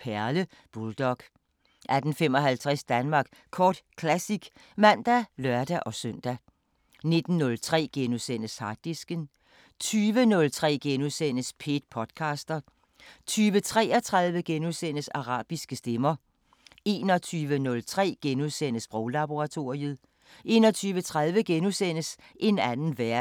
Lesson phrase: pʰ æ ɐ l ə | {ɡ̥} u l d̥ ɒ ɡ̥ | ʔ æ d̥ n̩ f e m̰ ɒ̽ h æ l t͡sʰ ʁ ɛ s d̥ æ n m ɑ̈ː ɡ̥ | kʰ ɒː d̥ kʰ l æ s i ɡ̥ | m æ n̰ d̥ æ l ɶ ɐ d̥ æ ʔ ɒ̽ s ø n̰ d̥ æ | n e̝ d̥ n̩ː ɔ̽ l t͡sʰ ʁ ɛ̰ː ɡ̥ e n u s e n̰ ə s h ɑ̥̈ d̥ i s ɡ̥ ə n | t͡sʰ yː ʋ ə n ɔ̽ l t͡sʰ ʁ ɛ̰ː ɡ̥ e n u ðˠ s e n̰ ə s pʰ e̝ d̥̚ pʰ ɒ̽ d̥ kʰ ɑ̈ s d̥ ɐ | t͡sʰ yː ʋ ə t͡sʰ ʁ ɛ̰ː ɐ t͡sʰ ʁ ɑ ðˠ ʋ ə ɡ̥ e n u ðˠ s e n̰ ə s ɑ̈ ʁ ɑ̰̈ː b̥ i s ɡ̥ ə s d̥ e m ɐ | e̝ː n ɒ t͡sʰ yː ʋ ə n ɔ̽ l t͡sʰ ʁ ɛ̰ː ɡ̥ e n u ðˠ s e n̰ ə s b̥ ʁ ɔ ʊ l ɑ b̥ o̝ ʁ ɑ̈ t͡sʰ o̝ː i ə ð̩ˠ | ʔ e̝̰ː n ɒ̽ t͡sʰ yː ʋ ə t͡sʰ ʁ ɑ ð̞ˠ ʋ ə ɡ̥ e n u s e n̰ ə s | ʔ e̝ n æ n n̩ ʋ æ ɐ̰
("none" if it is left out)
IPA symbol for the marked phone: b̥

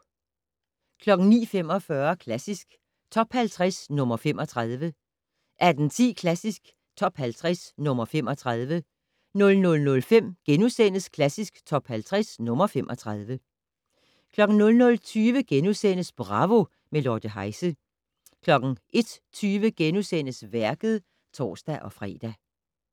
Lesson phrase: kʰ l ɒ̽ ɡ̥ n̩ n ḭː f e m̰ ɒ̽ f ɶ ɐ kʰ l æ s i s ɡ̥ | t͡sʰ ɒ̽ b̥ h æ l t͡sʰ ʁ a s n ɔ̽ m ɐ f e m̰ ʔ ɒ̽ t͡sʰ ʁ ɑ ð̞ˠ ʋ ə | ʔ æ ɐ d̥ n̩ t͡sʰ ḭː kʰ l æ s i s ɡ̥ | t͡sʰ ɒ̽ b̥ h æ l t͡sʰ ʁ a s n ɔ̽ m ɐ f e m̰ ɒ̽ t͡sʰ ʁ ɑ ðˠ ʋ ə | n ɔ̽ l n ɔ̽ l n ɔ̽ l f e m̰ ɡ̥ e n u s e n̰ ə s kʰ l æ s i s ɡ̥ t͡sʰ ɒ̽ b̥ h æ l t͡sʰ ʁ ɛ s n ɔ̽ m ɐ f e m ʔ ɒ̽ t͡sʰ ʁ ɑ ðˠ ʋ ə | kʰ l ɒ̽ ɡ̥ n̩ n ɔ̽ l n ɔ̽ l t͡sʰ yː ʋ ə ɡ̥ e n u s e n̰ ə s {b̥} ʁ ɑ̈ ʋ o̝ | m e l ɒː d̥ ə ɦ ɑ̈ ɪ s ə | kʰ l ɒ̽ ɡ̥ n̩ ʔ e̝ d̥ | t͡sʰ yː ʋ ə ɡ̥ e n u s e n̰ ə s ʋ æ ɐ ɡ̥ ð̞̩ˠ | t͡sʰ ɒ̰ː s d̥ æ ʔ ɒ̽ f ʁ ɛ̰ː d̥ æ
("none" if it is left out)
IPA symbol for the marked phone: b̥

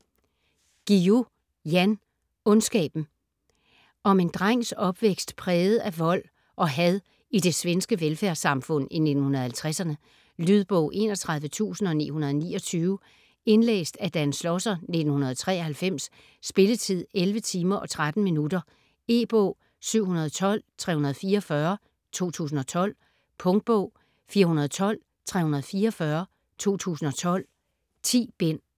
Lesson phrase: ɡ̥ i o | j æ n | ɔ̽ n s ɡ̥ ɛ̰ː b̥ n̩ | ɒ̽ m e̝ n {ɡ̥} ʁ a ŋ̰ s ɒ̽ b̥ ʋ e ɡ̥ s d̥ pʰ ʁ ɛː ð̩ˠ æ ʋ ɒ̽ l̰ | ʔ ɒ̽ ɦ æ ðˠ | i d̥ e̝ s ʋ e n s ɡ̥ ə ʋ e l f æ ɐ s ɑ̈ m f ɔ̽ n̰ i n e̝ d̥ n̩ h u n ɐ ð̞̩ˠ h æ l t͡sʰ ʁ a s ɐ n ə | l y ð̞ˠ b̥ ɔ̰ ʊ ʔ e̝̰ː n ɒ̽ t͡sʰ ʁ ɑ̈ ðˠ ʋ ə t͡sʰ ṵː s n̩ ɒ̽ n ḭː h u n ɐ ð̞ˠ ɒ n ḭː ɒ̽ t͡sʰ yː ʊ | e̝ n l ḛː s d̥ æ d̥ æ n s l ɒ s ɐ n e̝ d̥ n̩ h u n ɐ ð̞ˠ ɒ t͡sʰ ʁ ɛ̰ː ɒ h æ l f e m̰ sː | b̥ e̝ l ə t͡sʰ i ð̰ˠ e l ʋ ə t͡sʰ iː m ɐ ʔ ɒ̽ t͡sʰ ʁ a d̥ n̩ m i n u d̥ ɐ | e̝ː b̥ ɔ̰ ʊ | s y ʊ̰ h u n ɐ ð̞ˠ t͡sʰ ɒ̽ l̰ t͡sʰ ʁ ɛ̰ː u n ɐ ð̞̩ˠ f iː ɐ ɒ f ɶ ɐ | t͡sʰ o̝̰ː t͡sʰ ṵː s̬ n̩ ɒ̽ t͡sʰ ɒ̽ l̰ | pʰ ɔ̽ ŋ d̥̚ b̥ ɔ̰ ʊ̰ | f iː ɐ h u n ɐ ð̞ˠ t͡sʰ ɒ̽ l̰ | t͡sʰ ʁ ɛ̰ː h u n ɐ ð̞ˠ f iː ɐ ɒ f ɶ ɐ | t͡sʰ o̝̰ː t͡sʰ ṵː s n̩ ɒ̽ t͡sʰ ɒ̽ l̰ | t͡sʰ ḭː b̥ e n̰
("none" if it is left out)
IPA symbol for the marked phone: d̥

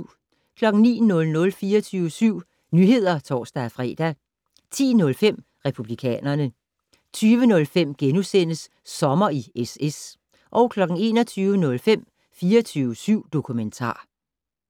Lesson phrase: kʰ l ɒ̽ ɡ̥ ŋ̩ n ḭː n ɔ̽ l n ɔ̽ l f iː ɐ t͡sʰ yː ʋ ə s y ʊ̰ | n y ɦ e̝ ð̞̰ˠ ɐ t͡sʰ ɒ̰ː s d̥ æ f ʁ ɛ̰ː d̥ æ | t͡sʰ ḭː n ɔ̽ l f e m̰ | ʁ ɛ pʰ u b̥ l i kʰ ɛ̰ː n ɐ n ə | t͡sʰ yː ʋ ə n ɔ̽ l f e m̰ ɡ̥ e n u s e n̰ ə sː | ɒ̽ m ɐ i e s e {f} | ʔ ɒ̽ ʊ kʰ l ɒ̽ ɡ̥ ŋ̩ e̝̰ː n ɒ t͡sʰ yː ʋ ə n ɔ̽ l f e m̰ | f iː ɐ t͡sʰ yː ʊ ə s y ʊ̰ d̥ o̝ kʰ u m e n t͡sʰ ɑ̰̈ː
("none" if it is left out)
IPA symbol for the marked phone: s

